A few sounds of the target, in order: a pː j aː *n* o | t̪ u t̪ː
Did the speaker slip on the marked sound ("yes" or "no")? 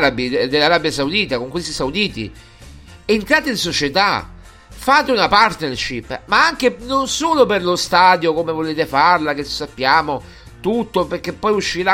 yes